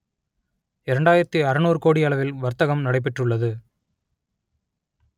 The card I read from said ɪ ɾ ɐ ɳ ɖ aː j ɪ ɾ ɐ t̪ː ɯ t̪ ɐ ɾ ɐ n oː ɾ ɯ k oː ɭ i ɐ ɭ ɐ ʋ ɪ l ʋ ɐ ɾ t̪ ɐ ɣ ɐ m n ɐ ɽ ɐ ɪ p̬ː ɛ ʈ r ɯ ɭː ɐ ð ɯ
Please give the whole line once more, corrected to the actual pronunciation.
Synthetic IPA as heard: ɪ ɾ ɐ ɳ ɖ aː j ɪ ɾ ɐ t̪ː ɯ ɐ ɾ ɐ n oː ɾ ɯ k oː ɽ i ɐ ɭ ɐ ʋ ɪ l ʋ ɐ ɾ t̪ ɐ ɣ ɐ m n ɐ ɽ ɐ ɪ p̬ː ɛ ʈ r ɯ ɭː ɐ ð ɯ